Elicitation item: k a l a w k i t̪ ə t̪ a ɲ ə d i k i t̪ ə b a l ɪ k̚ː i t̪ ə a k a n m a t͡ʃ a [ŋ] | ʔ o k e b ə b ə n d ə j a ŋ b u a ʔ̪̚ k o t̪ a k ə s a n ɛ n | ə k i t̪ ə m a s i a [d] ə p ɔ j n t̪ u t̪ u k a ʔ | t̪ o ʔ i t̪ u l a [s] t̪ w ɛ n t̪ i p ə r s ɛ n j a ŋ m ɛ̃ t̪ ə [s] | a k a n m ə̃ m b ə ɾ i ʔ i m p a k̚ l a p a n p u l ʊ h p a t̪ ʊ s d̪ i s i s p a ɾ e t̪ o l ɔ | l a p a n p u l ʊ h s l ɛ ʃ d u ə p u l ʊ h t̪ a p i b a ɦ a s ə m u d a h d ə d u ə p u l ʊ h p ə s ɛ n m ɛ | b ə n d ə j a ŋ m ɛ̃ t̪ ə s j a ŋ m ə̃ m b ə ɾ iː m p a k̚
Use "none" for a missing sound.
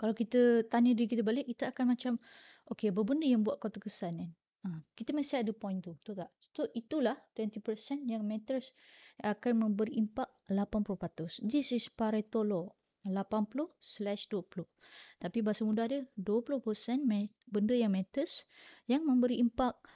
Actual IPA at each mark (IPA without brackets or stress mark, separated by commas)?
m, d, h, s